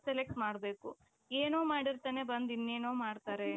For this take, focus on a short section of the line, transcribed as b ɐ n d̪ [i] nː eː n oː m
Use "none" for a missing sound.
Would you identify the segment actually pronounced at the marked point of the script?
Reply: i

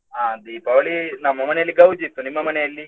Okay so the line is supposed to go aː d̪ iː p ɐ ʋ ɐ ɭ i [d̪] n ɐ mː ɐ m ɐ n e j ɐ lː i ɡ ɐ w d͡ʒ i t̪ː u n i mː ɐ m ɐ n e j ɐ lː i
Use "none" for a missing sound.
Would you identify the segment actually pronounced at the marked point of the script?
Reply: none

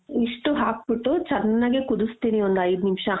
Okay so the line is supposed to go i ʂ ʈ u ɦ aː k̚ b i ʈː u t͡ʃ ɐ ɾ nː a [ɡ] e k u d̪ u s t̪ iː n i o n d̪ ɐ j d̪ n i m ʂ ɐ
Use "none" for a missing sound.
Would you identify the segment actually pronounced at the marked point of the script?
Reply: ɡ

